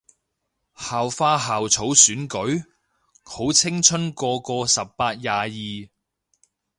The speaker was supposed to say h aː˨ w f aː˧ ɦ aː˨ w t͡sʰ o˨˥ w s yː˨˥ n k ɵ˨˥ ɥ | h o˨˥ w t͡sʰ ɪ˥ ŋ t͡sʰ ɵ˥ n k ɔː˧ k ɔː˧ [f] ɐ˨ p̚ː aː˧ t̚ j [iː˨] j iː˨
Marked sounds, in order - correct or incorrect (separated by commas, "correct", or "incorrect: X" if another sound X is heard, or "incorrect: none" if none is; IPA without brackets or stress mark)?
incorrect: s, incorrect: aː˨